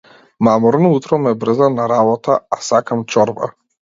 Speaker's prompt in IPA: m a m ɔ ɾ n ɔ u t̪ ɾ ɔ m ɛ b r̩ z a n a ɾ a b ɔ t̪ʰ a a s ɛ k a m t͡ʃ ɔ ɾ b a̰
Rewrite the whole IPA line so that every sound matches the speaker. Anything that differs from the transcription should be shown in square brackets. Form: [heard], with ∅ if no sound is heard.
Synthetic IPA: m a m ɔ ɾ n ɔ u t̪ ɾ ɔ m ɛ b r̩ z a n a ɾ a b ɔ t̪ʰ a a s [a] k a m t͡ʃ ɔ ɾ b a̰